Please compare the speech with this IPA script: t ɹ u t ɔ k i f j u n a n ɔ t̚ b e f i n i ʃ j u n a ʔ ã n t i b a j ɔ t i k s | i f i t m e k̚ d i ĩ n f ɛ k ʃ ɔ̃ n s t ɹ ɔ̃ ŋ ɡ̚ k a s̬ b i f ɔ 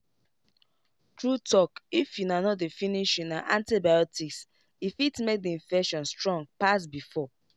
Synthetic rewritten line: t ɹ u t ɔ k i f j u n a n ɔ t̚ d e f i n i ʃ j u n a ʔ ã n t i b a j ɔ t i k s | i f i t m e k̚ d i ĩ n f ɛ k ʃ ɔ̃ n s t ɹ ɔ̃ ŋ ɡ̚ p a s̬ b i f ɔ